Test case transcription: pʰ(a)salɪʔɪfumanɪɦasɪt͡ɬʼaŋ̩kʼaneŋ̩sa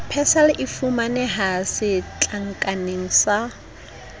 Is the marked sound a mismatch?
yes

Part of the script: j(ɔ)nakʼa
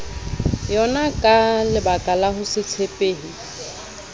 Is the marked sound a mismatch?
no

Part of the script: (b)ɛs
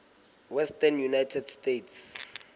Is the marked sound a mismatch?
yes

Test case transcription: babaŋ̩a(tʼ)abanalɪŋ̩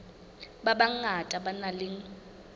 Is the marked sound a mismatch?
no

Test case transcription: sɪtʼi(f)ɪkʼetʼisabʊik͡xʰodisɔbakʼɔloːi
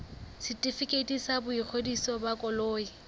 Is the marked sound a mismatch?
no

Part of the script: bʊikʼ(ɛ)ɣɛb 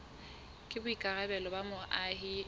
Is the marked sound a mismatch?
yes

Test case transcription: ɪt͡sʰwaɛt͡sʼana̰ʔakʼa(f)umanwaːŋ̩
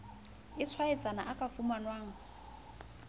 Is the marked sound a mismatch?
no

